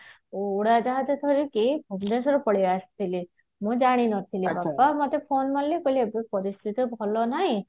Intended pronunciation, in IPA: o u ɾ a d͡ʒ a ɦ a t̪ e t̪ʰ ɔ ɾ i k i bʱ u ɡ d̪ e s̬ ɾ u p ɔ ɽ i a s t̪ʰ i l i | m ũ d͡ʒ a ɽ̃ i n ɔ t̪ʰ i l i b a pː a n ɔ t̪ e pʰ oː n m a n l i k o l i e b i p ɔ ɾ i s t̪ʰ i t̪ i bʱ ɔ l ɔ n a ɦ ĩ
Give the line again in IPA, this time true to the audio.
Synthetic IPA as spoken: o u ɽ a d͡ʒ a ɦ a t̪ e t̪ʰ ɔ ɾ i k i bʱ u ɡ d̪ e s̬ ɾ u p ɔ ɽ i a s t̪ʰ i l i | m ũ d͡ʒ a ɽ̃ i n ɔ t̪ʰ i l i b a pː a m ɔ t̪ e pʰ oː n m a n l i k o l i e b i p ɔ ɾ i s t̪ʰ i t̪ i bʱ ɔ l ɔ n a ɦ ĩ